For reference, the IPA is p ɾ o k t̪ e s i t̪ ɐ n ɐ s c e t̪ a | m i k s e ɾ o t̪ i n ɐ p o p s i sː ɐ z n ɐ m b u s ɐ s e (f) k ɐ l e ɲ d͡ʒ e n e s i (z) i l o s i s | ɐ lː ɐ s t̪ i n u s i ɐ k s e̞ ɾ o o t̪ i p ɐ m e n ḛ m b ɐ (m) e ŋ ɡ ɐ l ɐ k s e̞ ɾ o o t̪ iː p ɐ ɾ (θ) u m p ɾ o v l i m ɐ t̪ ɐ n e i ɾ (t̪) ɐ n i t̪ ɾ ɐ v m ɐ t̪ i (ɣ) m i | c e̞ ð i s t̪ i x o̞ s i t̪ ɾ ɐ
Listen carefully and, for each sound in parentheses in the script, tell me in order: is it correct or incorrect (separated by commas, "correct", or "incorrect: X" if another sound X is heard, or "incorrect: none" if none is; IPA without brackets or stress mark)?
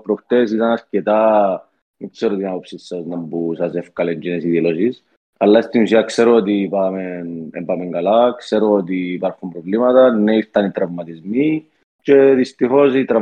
correct, incorrect: ð, correct, incorrect: x, correct, incorrect: z